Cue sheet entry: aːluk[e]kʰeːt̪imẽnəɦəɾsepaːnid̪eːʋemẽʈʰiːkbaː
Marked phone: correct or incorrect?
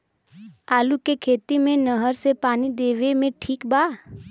correct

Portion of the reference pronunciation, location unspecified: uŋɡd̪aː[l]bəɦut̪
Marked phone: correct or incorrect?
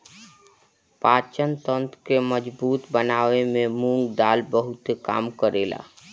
correct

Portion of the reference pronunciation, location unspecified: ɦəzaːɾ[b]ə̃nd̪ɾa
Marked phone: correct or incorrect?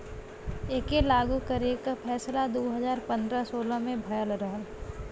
incorrect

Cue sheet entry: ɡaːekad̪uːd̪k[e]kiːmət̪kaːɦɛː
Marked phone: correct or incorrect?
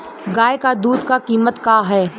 incorrect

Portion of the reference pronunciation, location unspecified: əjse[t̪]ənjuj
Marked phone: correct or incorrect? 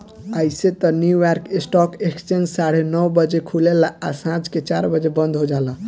correct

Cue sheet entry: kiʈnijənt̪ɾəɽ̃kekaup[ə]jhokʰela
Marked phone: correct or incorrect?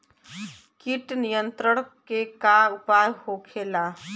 incorrect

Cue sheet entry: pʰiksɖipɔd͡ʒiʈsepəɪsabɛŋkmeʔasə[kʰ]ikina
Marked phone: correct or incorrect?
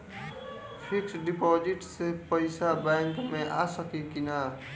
incorrect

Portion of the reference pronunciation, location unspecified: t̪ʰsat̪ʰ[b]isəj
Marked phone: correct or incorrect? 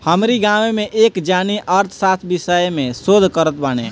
correct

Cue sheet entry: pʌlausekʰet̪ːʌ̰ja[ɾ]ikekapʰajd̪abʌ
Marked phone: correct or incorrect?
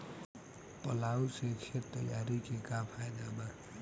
correct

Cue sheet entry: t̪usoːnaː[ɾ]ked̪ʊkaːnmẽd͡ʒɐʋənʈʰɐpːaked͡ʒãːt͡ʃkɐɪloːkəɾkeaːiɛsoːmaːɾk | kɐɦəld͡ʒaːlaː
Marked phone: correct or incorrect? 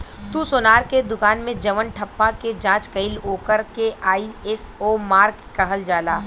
correct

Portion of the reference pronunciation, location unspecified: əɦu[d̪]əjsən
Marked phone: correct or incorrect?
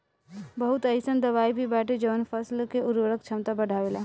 incorrect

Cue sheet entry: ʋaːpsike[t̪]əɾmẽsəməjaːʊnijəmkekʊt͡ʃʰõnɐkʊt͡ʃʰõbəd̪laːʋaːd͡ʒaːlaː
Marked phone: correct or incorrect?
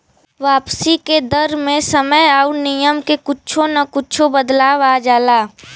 incorrect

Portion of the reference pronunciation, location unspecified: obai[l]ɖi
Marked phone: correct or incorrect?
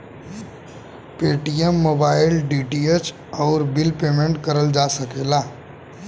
correct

